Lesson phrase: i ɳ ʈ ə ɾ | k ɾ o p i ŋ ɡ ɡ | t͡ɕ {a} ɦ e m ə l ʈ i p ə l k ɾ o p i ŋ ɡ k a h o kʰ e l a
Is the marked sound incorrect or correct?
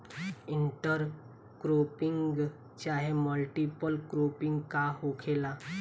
correct